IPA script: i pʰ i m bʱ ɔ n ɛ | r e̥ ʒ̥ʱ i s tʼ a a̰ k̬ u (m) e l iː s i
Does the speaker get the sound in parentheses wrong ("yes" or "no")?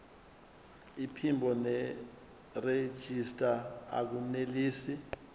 yes